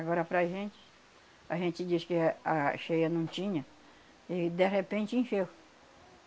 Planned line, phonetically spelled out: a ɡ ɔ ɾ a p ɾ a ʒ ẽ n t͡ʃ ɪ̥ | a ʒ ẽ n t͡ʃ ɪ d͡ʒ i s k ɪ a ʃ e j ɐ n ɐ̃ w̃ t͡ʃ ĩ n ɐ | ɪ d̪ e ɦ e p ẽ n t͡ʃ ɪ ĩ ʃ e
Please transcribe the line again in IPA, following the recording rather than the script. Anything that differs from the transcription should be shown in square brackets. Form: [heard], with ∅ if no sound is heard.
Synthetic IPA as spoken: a ɡ ɔ ɾ [ɐ] p ɾ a ʒ ẽ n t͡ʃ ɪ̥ | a ʒ ẽ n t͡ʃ ɪ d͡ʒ i s k ɪ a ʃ e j ɐ n ɐ̃ w̃ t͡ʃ ĩ [ɲ] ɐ | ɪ d̪ e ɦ e p ẽ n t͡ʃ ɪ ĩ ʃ e